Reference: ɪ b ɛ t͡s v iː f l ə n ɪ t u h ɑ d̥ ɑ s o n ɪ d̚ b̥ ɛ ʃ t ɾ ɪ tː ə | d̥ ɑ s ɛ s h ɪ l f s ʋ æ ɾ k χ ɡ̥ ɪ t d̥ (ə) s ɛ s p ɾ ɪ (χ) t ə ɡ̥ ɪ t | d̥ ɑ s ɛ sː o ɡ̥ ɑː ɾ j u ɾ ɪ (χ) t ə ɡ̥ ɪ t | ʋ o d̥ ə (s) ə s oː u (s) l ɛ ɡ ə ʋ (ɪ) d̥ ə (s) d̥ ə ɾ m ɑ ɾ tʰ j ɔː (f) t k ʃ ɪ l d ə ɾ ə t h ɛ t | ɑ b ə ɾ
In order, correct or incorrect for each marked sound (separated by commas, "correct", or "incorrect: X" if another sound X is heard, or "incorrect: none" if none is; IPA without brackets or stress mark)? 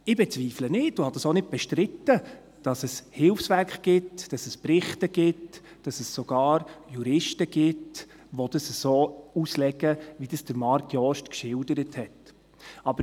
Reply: incorrect: ɑ, correct, incorrect: ʃ, correct, correct, incorrect: i, correct, incorrect: ʃ